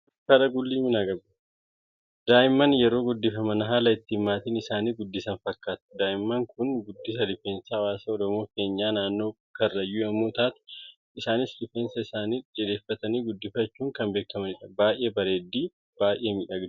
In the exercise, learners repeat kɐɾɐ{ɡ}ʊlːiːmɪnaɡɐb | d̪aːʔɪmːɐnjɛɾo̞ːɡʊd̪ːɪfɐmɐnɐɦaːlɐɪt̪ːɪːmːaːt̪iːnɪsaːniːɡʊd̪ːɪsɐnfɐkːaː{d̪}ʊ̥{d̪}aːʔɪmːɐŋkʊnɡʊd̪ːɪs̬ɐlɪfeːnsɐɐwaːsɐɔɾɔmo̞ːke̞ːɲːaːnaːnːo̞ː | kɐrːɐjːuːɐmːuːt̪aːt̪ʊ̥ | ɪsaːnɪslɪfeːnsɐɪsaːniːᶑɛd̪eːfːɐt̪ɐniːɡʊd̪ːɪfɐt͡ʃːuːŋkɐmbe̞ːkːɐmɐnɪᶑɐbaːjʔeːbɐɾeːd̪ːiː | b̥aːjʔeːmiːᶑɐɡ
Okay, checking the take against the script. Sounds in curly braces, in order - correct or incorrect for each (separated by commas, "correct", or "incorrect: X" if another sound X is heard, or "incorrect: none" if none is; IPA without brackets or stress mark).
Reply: correct, incorrect: t̪, correct